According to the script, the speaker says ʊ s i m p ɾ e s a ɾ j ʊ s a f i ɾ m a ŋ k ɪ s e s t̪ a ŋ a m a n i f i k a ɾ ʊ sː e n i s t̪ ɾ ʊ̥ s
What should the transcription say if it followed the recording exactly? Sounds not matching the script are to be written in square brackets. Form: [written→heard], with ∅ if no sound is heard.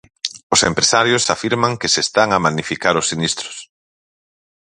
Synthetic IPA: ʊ s [i→e] m p ɾ e s a ɾ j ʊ s a f i ɾ m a ŋ k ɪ s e s t̪ a ŋ a m a n i f i k a ɾ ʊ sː [e→i] n i s t̪ ɾ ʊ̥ s

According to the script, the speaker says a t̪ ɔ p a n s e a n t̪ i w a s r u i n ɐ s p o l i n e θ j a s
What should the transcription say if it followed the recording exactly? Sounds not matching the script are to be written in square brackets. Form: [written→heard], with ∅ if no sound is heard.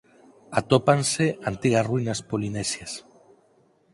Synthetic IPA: a t̪ [ɔ→o] p a n s e a n t̪ i [w→ɣ] a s r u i n [ɐ→a] s p o l i n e [θ→s] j a s

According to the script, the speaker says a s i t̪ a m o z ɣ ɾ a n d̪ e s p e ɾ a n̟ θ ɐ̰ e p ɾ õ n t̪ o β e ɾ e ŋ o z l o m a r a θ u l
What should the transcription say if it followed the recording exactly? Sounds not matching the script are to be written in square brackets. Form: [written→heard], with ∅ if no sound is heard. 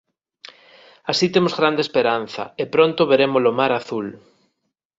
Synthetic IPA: a s i t̪ [a→e] m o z ɣ ɾ a n d̪ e s p e ɾ a n̟ θ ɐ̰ e p ɾ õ n t̪ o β e ɾ e [ŋ→m] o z l o m a [r→ɾ] a θ u l

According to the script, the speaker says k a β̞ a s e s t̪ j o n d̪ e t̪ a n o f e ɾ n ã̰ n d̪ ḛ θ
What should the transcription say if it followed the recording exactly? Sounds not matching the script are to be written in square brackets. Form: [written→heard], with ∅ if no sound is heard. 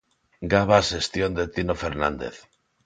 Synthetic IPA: [k→ɡ] a β̞ a s e s t̪ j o n d̪ e t̪ [a→i] n o f e ɾ n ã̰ n d̪ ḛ θ

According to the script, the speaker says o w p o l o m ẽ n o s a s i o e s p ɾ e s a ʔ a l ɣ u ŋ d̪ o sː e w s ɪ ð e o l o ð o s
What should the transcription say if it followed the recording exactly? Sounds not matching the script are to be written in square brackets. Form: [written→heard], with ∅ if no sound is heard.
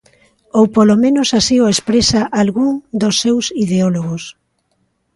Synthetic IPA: o w p o l o m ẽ n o s a s i o e s p ɾ e s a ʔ a l ɣ u ŋ d̪ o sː e w s [ɪ→i] ð e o l o [ð→ɣ] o s

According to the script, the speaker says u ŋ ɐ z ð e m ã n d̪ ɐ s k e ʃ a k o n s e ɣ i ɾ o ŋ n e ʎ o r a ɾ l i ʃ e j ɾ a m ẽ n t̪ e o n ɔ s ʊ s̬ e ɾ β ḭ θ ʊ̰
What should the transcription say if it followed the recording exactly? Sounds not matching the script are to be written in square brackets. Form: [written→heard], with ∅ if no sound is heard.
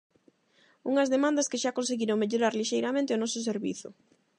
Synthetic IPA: u ŋ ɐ z ð e m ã n d̪ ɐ s k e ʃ a k o n s e ɣ i ɾ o ŋ [n→m] e ʎ o [r→ɾ] a ɾ l i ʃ e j ɾ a m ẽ n t̪ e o n ɔ s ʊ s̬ e ɾ β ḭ θ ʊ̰

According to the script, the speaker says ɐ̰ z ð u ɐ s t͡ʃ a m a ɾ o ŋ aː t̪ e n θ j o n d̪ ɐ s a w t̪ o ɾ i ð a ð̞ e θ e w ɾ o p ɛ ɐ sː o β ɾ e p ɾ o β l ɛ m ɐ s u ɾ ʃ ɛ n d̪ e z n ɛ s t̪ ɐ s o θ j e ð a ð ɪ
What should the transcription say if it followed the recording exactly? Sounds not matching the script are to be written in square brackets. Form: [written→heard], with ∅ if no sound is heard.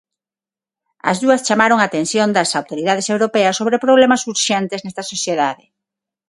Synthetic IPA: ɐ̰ z ð u ɐ s t͡ʃ a m a ɾ o ŋ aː t̪ e n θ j o n d̪ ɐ s a w t̪ o ɾ i ð a ð̞ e [θ→s] e w ɾ o p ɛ ɐ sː o β ɾ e p ɾ o β l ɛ m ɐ s u ɾ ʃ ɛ n [d̪→t̪] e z n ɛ s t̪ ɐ s o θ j e ð a ð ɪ

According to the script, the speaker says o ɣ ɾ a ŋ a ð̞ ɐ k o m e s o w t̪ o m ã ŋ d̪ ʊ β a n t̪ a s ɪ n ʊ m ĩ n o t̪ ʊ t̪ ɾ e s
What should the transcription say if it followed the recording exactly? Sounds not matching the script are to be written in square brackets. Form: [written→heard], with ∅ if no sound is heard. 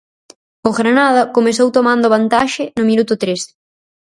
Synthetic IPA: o ɣ ɾ a [ŋ→n] a ð̞ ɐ k o m e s o w t̪ o m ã [ŋ→n] d̪ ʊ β a n t̪ a [s→ʃ] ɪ n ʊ m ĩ n [o→u] t̪ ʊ t̪ ɾ e s

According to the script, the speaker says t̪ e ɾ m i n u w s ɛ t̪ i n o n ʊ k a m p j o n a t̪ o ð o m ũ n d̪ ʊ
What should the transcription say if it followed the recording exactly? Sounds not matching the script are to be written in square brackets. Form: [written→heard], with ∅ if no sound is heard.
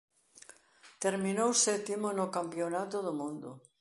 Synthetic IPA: t̪ e ɾ m i n [u→o] w s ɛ t̪ i [n→m] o n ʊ k a m p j o n a t̪ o ð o m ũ n d̪ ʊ

